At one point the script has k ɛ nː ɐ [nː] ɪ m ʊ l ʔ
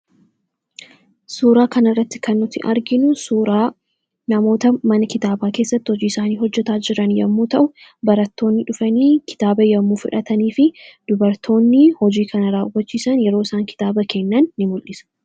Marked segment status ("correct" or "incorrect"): correct